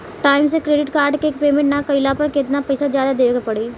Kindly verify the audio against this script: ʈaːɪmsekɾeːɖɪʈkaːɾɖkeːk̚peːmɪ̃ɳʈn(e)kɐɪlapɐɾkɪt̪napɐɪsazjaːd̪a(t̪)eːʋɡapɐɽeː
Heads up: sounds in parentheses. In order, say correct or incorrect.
incorrect: a, incorrect: d̪

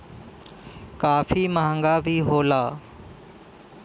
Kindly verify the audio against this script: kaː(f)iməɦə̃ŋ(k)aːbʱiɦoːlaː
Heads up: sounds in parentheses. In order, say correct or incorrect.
correct, incorrect: ɡ

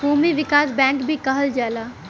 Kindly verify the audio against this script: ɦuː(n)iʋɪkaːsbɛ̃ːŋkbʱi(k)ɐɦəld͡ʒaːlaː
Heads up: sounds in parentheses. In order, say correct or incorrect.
incorrect: m, correct

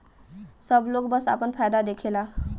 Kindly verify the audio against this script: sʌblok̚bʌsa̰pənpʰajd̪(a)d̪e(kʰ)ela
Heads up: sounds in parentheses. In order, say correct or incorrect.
correct, correct

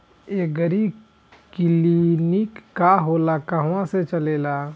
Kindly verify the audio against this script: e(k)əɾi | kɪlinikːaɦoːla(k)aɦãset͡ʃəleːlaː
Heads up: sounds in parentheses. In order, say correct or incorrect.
incorrect: ɡ, correct

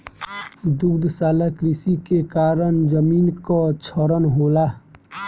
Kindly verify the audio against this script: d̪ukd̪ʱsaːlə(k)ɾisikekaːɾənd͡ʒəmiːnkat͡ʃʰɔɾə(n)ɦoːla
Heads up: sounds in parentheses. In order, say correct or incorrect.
correct, correct

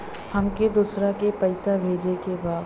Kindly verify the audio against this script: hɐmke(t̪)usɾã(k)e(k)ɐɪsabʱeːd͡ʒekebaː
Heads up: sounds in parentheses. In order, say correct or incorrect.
incorrect: d̪, correct, incorrect: p

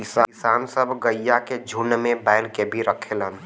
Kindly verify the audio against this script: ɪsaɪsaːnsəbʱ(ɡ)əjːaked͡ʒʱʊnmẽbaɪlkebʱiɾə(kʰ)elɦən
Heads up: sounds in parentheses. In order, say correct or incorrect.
correct, correct

